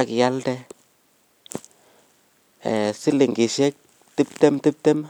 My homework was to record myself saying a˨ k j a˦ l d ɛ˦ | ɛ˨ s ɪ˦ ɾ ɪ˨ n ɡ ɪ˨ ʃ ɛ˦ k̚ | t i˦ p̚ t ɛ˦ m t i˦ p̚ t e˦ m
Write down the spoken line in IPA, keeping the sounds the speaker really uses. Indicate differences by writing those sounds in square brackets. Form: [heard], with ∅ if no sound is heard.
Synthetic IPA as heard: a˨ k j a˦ l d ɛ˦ | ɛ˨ s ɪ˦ [l] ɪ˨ [ŋ] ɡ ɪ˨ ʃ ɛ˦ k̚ | t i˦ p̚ t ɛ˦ m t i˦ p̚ t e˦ m